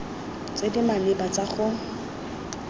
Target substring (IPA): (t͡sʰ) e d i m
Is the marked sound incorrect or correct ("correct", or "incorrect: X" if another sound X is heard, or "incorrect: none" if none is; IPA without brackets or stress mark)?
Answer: incorrect: t͡s